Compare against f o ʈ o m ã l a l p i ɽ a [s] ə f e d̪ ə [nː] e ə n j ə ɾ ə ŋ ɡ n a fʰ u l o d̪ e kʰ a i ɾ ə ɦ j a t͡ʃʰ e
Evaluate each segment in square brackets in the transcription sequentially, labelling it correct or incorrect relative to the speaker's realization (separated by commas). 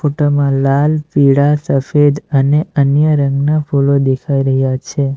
correct, incorrect